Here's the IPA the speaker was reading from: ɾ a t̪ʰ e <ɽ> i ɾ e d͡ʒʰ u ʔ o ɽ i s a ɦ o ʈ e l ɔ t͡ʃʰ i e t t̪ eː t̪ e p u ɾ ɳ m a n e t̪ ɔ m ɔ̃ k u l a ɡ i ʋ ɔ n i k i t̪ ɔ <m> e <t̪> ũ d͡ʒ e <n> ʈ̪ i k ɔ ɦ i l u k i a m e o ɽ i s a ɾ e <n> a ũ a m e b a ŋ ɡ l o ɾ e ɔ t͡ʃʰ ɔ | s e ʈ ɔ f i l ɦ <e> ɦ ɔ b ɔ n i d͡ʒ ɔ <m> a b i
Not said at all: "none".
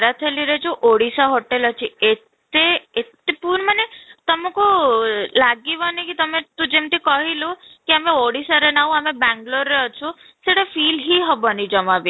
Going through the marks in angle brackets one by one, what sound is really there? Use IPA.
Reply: l, m, t̪, m, n, i, m

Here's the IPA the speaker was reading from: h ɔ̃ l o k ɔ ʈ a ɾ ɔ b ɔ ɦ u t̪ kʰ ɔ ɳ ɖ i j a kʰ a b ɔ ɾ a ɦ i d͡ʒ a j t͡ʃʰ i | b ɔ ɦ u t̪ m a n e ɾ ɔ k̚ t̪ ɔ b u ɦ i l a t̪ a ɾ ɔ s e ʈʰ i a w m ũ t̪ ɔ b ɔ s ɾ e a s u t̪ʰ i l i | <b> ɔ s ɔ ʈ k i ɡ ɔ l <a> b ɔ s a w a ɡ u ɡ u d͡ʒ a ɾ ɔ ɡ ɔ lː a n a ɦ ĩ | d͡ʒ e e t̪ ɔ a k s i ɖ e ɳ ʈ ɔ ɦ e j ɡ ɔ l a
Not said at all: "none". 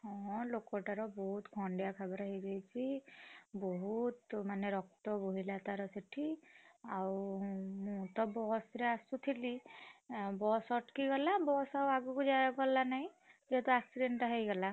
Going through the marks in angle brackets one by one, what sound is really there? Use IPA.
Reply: b, a

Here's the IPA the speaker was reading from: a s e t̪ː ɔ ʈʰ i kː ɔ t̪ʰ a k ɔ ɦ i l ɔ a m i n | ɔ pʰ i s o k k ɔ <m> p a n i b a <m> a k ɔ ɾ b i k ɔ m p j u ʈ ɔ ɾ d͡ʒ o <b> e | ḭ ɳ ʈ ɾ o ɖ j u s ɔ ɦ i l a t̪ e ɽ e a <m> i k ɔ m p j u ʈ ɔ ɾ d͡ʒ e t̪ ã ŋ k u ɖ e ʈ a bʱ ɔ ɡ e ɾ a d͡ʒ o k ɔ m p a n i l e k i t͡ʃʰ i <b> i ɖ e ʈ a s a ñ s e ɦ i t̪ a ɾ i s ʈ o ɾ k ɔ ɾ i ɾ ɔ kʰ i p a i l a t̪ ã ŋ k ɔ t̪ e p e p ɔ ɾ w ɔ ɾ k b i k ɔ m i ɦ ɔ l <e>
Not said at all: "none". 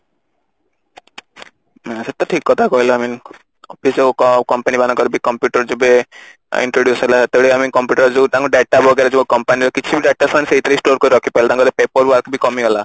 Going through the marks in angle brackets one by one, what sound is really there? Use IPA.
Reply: m, n, b, m, b, a

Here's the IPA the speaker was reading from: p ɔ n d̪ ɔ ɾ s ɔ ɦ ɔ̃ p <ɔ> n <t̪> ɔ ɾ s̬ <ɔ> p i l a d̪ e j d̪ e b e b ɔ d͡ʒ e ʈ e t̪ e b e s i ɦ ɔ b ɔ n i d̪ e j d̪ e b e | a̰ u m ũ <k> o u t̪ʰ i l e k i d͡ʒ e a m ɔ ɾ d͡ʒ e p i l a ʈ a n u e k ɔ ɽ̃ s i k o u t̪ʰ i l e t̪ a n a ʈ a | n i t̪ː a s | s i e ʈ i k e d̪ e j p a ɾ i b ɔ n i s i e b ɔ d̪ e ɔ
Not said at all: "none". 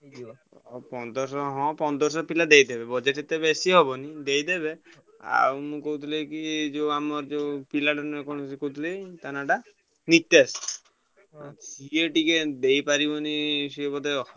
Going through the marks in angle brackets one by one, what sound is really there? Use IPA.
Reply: ɔ, d̪, ɔ, k

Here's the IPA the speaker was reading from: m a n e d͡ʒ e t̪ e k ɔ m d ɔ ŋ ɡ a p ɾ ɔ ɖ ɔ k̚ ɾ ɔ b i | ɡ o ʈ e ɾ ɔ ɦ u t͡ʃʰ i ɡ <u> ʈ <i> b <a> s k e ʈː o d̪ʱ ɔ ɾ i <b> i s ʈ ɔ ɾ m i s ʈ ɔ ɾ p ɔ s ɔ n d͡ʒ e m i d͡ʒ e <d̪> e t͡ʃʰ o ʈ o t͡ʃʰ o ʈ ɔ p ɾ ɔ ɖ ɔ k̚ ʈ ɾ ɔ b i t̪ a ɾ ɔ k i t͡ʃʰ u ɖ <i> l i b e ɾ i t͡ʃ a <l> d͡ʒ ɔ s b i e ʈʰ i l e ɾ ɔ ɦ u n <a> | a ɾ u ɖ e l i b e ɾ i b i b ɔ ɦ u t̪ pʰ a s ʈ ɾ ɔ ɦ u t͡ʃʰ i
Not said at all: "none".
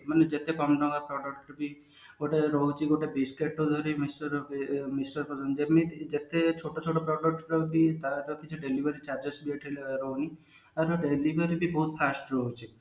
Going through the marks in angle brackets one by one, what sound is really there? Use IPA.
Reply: o, e, i, m, t̪, e, ɾ, i

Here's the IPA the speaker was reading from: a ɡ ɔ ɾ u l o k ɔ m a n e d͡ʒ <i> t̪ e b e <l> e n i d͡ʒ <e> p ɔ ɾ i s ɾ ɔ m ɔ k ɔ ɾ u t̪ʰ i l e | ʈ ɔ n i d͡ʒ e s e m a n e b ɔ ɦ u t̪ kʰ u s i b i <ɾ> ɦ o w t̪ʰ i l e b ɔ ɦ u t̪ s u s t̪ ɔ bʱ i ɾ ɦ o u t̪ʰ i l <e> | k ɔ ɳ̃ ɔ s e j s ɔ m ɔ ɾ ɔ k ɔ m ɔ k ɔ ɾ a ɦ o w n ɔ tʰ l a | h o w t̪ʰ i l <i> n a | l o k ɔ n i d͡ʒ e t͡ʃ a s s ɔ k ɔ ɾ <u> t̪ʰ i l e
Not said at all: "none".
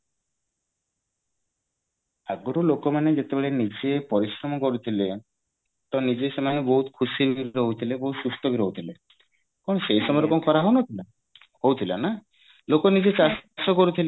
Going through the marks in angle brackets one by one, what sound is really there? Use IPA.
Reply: e, ɭ, e, ɾ, e, a, u

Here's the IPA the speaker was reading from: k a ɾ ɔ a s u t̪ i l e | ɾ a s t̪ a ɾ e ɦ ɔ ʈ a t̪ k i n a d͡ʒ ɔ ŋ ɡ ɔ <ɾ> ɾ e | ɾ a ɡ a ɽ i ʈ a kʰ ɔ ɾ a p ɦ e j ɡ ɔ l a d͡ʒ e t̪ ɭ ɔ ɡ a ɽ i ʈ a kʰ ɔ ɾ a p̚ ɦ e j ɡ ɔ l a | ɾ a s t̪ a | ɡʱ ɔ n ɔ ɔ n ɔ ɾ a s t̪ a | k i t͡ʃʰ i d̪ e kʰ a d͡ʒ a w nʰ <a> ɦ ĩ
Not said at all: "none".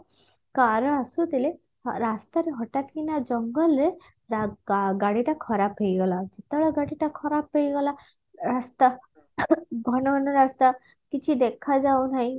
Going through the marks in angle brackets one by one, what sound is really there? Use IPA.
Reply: l, a

